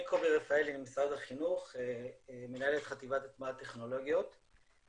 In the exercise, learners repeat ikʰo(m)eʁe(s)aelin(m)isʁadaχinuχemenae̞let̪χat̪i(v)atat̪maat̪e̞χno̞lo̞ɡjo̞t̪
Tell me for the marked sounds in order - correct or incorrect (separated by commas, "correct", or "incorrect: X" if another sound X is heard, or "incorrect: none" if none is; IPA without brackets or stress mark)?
incorrect: b, incorrect: f, correct, correct